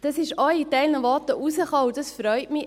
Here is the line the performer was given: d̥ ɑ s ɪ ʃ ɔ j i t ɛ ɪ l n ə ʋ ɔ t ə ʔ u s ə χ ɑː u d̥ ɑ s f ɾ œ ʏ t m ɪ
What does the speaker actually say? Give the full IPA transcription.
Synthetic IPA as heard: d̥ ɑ s ɪ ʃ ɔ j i t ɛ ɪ l n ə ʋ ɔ t ə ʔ u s ə χ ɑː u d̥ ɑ s f ɾ œ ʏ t m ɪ